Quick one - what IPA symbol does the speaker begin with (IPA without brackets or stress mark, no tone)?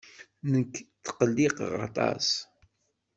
n